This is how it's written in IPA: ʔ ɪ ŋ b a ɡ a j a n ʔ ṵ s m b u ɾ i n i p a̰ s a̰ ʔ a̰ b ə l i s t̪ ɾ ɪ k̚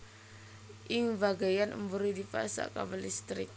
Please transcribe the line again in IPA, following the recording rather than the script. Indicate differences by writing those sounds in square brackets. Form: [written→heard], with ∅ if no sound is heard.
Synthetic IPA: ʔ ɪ ŋ b a ɡ a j a n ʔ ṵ [s→∅] m b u ɾ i [n→d] i p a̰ s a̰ [ʔ→k] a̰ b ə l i s t̪ ɾ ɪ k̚